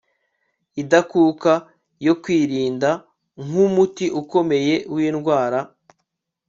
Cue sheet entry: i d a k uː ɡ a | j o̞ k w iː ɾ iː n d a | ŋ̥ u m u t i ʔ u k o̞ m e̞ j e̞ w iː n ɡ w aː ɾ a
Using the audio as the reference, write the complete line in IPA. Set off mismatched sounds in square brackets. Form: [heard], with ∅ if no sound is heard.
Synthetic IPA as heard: i d a k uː [k] a | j o̞ k w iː ɾ iː n d a | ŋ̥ u m u t i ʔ u k o̞ m e̞ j e̞ w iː n ɡ w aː ɾ a